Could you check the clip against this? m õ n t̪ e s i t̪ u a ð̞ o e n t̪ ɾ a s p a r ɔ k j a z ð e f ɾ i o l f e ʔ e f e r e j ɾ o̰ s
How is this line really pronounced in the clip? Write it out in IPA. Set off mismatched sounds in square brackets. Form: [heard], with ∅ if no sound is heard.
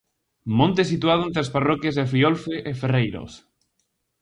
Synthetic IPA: m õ n t̪ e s i t̪ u a ð̞ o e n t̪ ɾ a s p a r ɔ k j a z ð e f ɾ i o l f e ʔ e f e r e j ɾ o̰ s